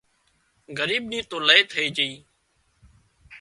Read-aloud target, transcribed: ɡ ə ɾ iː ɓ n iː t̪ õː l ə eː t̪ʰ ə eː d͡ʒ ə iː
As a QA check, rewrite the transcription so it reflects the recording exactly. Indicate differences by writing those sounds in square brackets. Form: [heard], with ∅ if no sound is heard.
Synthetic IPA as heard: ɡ ə ɾ iː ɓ n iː t̪ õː l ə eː t̪ʰ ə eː d͡ʒ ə iː